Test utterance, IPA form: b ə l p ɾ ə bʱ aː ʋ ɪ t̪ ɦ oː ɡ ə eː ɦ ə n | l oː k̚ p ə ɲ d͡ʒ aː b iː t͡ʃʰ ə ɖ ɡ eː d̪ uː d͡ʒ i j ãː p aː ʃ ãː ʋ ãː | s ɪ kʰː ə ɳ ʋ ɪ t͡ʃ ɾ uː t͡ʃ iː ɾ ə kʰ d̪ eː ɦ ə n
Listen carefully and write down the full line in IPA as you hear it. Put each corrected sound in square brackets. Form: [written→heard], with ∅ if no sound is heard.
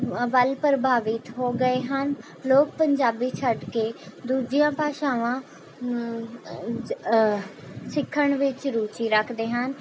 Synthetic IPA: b ə l p ɾ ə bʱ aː ʋ ɪ t̪ ɦ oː ɡ ə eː ɦ ə n | l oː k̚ p ə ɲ d͡ʒ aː b iː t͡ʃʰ ə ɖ [ɡ→k] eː d̪ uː d͡ʒ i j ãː p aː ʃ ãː ʋ ãː | s ɪ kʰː ə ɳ ʋ ɪ t͡ʃ ɾ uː t͡ʃ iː ɾ ə kʰ d̪ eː ɦ ə n